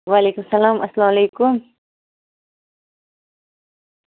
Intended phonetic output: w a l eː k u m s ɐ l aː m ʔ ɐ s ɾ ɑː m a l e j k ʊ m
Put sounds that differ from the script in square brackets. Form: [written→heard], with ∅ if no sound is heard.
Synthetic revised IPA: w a l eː k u m s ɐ l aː m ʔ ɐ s [ɾ→l] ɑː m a l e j k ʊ m